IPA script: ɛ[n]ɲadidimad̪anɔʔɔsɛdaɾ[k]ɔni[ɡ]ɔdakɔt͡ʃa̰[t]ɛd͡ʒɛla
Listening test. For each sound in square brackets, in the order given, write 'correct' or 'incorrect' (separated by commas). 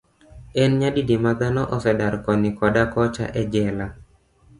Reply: correct, correct, incorrect, incorrect